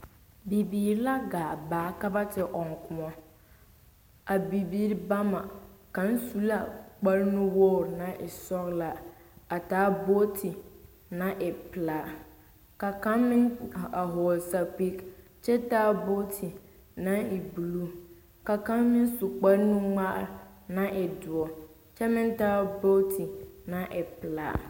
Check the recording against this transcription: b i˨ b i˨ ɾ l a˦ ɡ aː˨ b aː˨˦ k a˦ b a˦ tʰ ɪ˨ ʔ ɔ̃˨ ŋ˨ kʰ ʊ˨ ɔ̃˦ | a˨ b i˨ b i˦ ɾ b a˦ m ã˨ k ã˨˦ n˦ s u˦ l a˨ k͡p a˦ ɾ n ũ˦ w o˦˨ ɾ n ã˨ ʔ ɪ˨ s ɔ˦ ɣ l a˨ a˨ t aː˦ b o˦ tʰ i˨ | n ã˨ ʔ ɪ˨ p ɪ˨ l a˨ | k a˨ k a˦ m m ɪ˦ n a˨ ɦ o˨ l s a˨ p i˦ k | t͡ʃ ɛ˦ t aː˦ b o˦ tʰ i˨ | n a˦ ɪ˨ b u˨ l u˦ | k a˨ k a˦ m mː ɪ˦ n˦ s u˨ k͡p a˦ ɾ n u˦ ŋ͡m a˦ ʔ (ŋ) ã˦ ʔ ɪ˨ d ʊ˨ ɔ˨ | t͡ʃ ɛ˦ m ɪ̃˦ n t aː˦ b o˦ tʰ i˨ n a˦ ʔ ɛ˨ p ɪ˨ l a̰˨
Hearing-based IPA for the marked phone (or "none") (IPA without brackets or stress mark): n